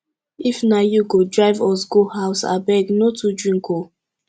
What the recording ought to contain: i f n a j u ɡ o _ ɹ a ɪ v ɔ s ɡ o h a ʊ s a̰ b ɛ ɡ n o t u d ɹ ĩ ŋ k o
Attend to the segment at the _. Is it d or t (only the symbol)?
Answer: d